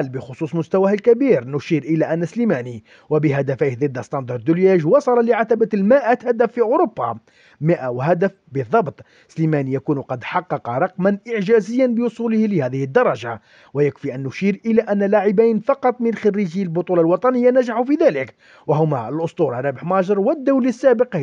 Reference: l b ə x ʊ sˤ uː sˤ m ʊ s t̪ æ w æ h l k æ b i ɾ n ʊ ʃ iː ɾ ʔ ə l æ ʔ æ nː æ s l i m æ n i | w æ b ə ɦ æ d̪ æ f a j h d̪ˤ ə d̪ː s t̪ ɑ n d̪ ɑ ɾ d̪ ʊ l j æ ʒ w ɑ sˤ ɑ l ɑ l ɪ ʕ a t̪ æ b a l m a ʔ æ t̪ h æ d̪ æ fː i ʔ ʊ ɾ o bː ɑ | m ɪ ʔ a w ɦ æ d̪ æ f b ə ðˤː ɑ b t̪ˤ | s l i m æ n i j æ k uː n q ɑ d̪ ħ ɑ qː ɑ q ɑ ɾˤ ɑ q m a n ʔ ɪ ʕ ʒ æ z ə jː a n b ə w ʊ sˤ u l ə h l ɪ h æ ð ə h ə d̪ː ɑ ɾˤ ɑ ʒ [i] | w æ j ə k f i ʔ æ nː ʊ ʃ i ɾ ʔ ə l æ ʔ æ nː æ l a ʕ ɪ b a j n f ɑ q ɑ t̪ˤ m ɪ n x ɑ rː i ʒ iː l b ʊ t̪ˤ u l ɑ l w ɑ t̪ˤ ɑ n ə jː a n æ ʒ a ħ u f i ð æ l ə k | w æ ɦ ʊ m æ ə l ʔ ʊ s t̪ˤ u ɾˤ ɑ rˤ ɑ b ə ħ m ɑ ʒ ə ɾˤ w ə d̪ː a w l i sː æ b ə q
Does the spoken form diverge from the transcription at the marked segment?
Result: yes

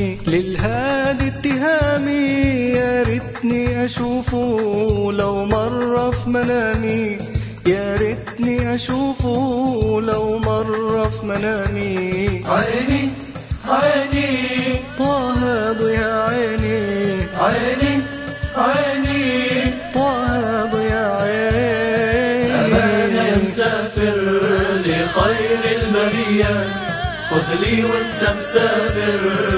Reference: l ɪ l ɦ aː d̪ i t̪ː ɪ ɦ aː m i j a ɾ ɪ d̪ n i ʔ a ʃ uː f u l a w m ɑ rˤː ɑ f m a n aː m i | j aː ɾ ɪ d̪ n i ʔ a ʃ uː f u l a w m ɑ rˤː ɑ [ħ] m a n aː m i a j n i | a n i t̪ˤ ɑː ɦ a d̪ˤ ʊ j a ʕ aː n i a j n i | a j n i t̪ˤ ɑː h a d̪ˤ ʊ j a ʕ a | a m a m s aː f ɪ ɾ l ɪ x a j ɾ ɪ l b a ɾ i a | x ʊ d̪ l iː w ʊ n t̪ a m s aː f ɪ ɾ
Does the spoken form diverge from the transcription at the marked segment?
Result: yes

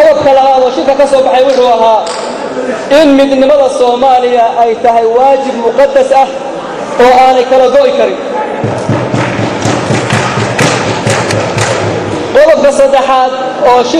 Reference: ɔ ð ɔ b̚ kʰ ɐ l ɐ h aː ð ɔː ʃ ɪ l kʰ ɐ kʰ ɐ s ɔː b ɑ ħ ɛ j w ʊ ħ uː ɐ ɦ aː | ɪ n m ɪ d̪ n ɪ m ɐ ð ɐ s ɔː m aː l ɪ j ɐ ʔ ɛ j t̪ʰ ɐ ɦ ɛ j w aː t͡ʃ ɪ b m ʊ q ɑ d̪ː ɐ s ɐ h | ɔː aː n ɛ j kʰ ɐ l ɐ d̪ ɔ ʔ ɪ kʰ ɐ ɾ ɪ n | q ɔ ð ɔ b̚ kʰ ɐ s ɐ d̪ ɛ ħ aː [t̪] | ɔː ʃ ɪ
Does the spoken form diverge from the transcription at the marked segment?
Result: yes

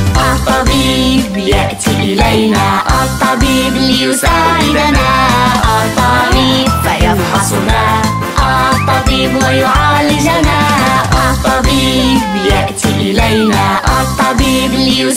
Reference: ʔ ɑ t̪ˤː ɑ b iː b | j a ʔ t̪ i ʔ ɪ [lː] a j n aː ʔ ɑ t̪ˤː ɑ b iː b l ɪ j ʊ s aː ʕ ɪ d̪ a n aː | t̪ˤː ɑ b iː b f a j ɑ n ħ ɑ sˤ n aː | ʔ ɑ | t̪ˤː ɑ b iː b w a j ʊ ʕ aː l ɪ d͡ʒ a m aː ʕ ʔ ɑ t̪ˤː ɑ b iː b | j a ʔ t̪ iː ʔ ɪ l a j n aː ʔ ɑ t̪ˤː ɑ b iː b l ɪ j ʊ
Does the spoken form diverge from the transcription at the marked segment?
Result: yes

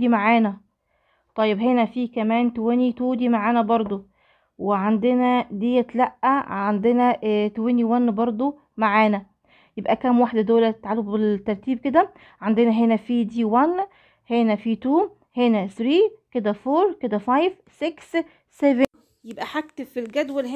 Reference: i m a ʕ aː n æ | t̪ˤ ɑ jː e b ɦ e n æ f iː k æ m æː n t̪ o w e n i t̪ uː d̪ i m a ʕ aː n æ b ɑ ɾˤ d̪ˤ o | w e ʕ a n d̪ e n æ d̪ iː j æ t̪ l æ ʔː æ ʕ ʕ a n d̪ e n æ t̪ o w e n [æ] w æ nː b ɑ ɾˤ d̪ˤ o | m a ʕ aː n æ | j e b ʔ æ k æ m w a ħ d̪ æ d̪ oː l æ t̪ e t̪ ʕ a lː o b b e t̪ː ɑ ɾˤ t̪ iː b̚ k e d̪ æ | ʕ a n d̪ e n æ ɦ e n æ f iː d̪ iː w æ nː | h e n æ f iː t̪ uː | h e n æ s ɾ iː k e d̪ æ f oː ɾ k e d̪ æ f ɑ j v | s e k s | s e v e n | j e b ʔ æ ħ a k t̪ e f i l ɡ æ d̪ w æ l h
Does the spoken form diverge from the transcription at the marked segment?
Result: yes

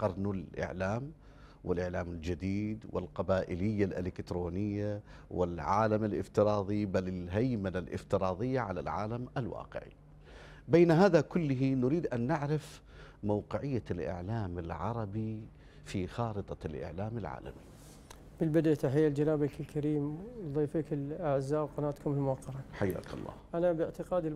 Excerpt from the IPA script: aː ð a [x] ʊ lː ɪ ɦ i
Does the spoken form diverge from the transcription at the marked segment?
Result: yes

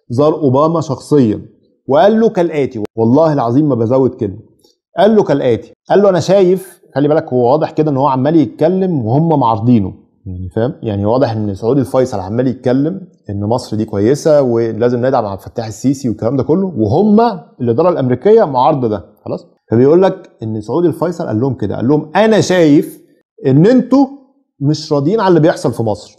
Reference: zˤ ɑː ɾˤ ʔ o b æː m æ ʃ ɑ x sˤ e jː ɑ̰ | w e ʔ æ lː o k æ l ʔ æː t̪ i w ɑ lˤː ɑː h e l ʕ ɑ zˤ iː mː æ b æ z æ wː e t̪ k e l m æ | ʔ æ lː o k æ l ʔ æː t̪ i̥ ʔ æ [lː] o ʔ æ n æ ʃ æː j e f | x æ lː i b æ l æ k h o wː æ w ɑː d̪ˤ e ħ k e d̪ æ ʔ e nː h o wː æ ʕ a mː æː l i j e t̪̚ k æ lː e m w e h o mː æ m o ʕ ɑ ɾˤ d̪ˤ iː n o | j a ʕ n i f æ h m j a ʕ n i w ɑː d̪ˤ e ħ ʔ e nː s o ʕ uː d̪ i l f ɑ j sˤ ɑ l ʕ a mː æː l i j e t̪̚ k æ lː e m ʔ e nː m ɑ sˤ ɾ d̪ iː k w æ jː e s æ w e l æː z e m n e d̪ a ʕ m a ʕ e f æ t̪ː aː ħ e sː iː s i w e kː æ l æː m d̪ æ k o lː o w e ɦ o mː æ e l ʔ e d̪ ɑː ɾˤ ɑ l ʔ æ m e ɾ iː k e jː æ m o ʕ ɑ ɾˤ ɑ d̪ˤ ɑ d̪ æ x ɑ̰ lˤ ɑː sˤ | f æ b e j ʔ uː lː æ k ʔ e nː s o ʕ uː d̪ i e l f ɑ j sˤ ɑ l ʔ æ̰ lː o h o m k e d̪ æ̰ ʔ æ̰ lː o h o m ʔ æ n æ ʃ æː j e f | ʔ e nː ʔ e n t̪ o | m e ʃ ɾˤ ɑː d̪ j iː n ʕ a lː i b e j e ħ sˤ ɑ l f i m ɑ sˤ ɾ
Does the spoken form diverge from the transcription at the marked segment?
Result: no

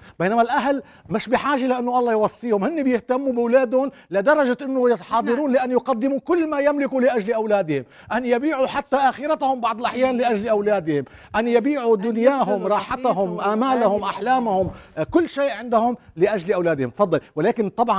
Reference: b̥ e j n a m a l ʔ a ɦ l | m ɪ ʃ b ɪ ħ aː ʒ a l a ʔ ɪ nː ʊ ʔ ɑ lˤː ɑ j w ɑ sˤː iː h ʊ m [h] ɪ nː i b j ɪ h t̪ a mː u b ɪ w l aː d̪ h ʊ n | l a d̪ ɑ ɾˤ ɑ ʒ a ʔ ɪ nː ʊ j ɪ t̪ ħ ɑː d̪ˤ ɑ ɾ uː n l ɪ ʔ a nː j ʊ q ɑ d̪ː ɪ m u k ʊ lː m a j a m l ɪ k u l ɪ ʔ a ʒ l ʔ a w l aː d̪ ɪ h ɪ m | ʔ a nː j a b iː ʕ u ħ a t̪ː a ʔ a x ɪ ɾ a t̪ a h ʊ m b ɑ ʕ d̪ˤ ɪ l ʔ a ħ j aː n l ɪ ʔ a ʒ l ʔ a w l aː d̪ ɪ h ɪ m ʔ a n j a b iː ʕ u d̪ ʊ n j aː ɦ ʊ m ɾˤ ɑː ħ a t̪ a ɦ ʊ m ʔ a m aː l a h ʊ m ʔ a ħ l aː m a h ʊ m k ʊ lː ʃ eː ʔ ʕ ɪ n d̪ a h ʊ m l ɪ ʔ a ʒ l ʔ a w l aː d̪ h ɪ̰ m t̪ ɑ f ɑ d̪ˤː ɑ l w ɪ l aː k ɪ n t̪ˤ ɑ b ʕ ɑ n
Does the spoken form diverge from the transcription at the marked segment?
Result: no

